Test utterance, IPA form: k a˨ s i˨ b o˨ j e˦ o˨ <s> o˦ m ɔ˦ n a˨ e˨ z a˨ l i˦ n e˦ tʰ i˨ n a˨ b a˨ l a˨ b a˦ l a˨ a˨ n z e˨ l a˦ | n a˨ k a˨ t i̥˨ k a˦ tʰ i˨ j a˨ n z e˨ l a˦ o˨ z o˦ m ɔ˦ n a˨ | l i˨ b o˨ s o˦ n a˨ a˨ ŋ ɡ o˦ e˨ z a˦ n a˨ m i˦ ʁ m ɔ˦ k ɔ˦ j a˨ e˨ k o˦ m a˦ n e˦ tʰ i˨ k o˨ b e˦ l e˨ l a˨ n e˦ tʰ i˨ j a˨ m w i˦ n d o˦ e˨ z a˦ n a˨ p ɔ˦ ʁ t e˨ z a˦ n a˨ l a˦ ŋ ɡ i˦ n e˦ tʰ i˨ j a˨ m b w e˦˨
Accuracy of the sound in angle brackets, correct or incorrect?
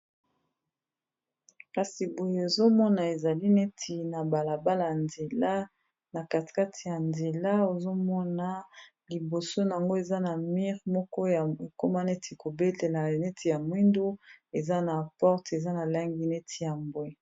incorrect